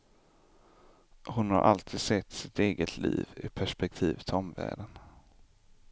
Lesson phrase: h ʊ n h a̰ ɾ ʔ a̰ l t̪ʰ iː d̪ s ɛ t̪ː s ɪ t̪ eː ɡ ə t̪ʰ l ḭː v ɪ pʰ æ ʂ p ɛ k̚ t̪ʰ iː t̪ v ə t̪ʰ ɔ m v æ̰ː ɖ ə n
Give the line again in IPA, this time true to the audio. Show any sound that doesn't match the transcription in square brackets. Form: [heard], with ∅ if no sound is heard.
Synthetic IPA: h ʊ n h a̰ ɾ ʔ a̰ l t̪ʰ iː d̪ s ɛ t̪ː s ɪ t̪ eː ɡ ə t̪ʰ l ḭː v ɪ pʰ æ ʂ p ɛ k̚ t̪ʰ iː [∅] v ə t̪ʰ ɔ m v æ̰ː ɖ ə n